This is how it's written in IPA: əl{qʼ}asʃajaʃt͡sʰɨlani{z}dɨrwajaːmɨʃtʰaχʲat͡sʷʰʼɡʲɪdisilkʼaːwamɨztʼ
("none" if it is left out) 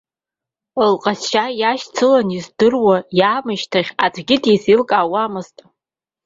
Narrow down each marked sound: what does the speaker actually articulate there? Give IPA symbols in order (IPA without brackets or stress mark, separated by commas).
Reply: qʼ, z